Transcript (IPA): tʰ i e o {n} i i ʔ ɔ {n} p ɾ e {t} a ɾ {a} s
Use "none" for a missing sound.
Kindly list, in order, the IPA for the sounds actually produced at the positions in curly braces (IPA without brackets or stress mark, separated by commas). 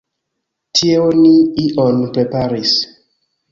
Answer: n, n, p, i